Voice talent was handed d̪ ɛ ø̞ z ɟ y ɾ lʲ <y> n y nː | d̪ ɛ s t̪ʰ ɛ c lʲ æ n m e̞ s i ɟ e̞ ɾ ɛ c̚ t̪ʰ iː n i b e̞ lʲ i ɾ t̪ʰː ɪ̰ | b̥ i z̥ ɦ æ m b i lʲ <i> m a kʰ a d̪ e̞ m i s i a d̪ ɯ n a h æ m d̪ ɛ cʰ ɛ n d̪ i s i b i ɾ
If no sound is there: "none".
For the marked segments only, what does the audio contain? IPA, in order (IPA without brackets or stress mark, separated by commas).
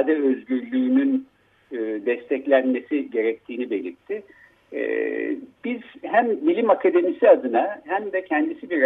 yː, i